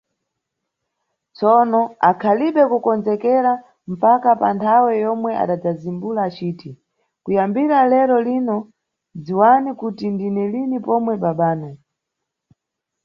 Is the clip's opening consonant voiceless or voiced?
voiceless